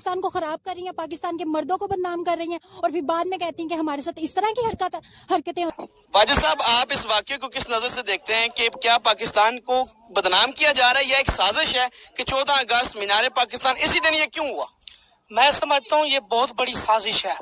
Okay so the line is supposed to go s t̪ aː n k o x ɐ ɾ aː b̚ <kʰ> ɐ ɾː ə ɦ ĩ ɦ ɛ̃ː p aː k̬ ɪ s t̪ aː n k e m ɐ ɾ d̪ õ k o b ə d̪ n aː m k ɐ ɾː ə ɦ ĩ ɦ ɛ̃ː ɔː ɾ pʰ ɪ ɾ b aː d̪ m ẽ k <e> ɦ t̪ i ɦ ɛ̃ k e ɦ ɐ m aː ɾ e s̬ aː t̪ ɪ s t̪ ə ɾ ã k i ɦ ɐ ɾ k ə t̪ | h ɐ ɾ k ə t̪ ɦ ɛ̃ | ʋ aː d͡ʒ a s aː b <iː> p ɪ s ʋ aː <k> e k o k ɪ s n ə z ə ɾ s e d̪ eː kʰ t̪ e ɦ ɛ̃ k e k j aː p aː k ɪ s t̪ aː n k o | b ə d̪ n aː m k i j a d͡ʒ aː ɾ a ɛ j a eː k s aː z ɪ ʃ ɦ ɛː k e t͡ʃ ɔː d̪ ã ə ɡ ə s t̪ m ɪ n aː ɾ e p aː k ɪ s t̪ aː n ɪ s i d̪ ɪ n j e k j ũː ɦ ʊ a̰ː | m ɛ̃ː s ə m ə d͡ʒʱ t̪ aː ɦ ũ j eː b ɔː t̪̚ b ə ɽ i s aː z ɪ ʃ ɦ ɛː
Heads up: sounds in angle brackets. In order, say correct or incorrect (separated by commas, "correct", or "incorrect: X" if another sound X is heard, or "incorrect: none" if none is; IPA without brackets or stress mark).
incorrect: k, incorrect: ɛ, incorrect: aː, correct